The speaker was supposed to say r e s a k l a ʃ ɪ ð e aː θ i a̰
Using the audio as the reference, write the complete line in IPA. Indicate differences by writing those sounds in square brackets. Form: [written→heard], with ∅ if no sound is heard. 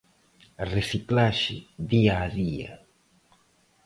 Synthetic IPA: r e s [a→i] k l a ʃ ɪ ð [e→i] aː [θ→ð] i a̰